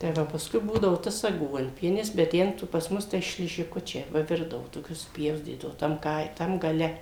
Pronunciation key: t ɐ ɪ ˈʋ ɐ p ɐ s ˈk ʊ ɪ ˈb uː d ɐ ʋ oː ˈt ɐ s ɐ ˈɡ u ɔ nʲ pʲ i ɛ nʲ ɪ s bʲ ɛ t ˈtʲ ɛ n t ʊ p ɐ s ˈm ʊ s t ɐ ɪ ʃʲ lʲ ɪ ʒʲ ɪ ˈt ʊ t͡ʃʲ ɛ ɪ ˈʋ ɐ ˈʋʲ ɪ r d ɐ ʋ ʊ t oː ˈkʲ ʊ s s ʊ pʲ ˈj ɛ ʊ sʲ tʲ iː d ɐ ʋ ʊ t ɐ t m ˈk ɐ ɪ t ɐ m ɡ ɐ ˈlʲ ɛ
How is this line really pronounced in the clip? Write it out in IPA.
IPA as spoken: t ɐ ɪ ˈʋ ɐ p ɐ s ˈk ʊ ɪ ˈb uː d ɐ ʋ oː ˈt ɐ s ɐ ˈɡ u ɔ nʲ pʲ i ɛ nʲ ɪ s bʲ ɛ t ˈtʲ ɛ n t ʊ p ɐ s ˈm ʊ s t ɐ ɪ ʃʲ lʲ ɪ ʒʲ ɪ ˈk ʊ t͡ʃʲ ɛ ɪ ˈʋ ɐ ˈʋʲ ɪ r d ɐ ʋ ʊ t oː ˈkʲ ʊ s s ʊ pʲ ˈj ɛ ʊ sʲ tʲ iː d ɐ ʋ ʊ t ɐ m ˈk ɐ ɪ t ɐ m ɡ ɐ ˈlʲ ɛ